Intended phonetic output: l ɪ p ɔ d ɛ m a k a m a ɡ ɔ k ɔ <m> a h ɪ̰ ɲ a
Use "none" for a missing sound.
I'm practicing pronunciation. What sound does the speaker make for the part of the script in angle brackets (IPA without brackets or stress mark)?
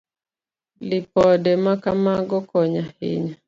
ɲ